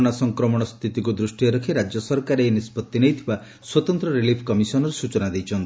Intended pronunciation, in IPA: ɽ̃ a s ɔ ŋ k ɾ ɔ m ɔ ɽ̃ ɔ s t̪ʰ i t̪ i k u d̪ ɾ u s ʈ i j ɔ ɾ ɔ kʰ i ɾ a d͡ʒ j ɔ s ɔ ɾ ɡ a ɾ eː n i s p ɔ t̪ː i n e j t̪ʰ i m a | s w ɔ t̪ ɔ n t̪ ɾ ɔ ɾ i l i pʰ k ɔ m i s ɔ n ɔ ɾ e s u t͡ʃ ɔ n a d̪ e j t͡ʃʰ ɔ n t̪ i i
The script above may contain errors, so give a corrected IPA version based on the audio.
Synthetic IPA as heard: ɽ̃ a s ɔ ŋ k ɾ ɔ m ɔ ɽ̃ ɔ s t̪ʰ i t̪ i k u d̪ ɾ u s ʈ i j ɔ ɾ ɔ kʰ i ɾ a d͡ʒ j ɔ s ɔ ɾ k a ɾ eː n i s p ɔ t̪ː i n e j t̪ʰ i b a | s w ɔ t̪ ɔ n t̪ ɾ ɔ ɾ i l i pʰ k ɔ m i s ɔ n ɔ ɾ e s u t͡ʃ ɔ n a d̪ e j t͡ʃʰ ɔ n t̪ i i